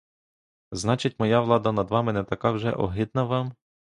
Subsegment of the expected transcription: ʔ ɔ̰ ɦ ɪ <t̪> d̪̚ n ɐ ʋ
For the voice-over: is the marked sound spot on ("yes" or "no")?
no